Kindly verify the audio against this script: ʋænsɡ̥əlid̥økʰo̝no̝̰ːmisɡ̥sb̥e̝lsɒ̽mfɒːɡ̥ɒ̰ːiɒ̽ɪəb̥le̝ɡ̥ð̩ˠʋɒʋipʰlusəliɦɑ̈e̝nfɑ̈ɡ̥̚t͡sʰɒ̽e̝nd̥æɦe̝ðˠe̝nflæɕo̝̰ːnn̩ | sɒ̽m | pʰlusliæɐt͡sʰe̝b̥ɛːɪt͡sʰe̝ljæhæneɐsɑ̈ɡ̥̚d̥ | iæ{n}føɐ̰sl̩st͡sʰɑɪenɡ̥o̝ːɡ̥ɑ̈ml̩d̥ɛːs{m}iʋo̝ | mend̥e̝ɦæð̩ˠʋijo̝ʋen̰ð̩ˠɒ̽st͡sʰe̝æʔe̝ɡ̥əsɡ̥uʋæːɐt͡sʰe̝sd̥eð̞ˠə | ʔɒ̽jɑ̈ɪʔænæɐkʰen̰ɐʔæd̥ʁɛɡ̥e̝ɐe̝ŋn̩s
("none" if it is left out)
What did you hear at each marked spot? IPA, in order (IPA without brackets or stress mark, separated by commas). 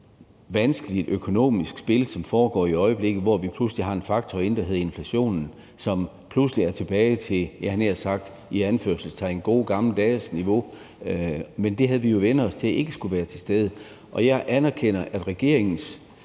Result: n, n